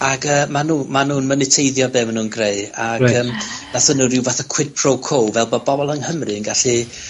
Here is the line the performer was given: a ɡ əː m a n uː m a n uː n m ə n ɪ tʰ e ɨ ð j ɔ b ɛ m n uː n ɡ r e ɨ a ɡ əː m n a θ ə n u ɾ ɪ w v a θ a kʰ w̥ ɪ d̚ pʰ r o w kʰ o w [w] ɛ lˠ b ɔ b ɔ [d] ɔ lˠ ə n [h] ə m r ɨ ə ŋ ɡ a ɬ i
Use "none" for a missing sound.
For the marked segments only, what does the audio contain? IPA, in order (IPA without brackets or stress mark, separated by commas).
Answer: v, b, h